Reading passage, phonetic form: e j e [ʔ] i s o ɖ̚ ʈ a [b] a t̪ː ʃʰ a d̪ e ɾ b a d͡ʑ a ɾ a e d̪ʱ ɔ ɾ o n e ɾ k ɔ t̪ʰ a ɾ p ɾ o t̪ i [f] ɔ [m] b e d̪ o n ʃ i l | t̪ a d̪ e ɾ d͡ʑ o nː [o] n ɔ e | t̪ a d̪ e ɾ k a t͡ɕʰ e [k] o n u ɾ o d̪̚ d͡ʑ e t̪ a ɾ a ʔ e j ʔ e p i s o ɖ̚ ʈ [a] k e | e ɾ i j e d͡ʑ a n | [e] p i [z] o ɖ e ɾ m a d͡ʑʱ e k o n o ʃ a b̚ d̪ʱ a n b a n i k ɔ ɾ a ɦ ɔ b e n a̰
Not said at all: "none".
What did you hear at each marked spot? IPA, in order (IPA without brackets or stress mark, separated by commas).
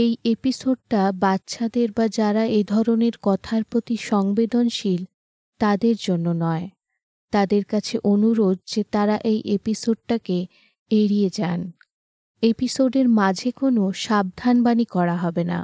p, b, ʃ, ŋ, o, ʔ, a, e, s